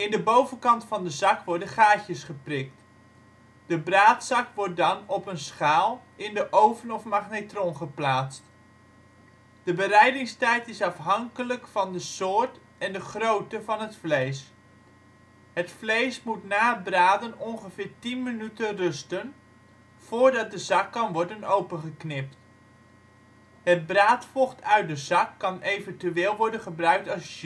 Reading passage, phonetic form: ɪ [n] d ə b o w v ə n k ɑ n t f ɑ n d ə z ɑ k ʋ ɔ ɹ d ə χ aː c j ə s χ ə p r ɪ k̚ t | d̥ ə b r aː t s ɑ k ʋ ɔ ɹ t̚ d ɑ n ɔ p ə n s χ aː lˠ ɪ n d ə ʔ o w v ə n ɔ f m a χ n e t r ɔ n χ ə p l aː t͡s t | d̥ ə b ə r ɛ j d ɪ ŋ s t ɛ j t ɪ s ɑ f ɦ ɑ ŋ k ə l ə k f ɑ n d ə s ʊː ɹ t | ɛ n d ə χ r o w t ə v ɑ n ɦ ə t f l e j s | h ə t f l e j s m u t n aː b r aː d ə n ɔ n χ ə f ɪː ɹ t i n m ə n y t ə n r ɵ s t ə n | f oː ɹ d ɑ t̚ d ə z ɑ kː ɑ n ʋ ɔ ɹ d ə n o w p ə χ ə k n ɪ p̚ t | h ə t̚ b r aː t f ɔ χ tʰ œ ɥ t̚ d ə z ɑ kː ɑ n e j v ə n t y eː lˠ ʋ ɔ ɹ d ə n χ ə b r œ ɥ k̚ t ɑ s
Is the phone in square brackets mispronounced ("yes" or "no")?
no